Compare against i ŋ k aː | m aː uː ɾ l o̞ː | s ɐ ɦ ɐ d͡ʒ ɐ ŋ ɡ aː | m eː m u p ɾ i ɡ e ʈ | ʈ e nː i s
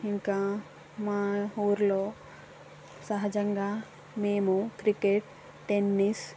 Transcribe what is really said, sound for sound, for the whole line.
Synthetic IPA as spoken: i ŋ k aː | m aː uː ɾ l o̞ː | s ɐ ɦ ɐ d͡ʒ ɐ ŋ ɡ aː | m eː m u k ɾ i k e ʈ | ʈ e nː i s